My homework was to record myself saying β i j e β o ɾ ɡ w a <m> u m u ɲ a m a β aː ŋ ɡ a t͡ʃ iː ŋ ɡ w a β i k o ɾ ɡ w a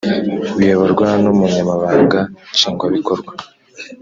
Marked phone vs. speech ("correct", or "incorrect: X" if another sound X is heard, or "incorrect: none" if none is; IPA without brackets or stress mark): incorrect: n